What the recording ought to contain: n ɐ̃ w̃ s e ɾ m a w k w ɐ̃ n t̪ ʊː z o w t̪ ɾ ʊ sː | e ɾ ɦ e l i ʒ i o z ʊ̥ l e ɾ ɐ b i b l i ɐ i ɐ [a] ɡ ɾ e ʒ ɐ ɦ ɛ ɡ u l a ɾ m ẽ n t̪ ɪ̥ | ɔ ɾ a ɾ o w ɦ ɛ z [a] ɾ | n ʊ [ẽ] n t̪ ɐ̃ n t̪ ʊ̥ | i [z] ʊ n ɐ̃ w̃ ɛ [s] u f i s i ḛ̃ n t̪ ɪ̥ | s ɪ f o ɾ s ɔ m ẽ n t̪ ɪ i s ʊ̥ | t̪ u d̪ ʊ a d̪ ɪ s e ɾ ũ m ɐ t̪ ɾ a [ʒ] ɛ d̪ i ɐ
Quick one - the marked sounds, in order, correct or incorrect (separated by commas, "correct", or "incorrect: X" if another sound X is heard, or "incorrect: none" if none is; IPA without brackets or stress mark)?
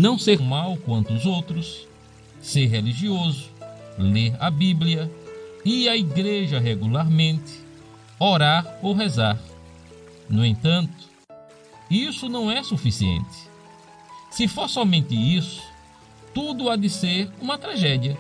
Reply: incorrect: i, correct, correct, incorrect: s, correct, correct